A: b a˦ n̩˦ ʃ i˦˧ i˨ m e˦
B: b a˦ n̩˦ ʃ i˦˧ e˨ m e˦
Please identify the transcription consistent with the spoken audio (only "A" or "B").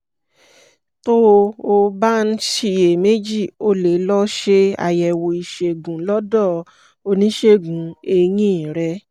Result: B